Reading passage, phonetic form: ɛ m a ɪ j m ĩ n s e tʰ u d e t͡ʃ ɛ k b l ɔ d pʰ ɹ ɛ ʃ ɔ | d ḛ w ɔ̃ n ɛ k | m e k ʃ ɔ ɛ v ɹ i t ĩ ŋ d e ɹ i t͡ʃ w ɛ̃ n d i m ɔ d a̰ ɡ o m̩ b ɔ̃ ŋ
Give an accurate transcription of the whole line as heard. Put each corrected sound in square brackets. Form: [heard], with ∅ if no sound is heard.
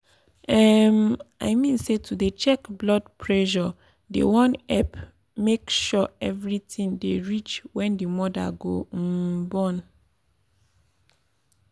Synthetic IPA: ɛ m a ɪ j m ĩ n s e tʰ u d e t͡ʃ ɛ k b l ɔ d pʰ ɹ ɛ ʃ ɔ | d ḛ w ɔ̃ n ɛ [p] | m e k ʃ ɔ ɛ v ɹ i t ĩ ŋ d e ɹ i t͡ʃ w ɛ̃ n d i m ɔ d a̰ ɡ o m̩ b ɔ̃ [n]